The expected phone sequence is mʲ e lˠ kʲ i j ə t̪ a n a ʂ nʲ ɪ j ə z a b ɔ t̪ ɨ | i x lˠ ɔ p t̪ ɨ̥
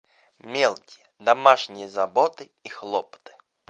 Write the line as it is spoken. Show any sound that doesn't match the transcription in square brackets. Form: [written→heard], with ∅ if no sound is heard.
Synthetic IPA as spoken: mʲ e lˠ kʲ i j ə [t̪→d̪] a [n→m] a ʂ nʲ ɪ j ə z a b ɔ t̪ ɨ | i x lˠ ɔ p t̪ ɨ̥